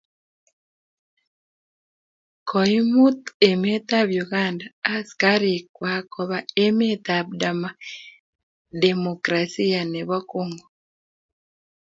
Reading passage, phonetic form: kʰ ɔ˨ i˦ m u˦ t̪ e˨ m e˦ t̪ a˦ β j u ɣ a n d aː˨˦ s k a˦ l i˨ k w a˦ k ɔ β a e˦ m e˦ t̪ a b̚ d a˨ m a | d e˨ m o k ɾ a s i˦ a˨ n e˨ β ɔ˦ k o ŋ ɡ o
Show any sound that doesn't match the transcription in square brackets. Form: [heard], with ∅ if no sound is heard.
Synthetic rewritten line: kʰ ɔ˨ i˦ m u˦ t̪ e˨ m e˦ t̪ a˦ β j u ɣ a n d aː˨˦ s k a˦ [ɾ] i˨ k w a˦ k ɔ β a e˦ m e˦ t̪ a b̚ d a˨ m a | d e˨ m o k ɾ a s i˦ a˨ n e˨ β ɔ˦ k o ŋ ɡ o